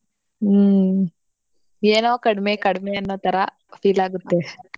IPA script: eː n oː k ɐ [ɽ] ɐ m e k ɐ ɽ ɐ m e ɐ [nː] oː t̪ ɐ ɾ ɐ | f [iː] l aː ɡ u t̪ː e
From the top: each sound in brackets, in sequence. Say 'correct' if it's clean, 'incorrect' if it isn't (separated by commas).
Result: correct, correct, correct